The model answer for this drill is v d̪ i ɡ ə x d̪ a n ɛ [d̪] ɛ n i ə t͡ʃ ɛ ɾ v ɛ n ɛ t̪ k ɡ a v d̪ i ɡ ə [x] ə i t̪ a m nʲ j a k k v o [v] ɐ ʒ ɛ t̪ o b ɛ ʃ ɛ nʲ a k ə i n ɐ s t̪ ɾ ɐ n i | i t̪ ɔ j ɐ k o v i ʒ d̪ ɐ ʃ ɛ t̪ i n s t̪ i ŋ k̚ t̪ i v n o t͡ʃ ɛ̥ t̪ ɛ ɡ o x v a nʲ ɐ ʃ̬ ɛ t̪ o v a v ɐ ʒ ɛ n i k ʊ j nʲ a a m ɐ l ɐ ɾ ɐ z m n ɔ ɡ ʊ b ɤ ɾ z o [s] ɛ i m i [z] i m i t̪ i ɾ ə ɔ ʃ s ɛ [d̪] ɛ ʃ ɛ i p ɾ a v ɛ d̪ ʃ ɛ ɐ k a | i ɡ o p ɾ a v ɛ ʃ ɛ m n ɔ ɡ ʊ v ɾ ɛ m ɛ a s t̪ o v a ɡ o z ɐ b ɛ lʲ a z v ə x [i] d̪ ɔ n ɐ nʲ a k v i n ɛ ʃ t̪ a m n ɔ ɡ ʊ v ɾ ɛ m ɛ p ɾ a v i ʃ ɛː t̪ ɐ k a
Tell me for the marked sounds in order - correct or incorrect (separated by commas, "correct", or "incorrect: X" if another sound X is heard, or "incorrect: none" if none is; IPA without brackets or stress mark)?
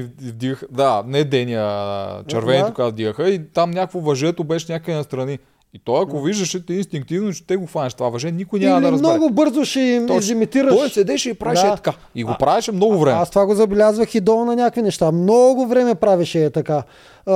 correct, correct, correct, incorrect: ʃ, correct, correct, correct